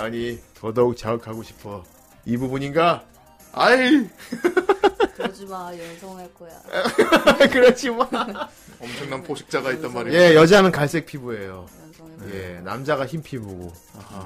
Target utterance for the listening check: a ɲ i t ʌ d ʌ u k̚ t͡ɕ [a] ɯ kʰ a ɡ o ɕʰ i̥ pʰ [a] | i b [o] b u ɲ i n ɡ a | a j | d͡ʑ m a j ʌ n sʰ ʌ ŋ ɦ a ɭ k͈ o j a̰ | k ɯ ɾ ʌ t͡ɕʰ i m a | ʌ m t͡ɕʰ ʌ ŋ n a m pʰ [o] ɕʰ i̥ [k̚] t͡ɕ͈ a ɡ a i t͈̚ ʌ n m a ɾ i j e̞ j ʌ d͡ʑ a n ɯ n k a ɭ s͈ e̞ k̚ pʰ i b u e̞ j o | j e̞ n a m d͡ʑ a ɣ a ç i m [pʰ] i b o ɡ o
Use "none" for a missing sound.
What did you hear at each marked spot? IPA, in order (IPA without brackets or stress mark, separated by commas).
a, ʌ, u, o, k̚, pʰ